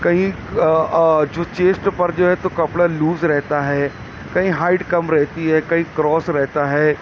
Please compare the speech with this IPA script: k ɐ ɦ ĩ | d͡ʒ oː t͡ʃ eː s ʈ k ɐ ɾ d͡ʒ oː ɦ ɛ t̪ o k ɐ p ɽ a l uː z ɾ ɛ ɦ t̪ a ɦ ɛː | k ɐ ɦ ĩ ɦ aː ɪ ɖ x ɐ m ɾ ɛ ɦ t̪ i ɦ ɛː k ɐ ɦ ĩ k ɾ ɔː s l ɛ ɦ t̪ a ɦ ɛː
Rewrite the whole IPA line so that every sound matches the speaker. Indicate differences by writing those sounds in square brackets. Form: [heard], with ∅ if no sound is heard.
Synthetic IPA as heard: k ɐ ɦ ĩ | d͡ʒ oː t͡ʃ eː s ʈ [p] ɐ ɾ d͡ʒ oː ɦ ɛ t̪ o k ɐ p ɽ a l uː z ɾ ɛ ɦ t̪ a ɦ ɛː | k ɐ ɦ ĩ ɦ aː ɪ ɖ [k] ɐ m ɾ ɛ ɦ t̪ i ɦ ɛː k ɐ ɦ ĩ k ɾ ɔː s [ɾ] ɛ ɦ t̪ a ɦ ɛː